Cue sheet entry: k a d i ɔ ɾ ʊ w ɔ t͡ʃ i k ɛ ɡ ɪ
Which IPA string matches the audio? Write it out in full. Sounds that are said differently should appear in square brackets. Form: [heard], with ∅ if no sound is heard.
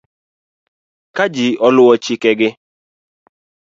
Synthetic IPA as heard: k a [d͡ʒ] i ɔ [l] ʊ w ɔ t͡ʃ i k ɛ ɡ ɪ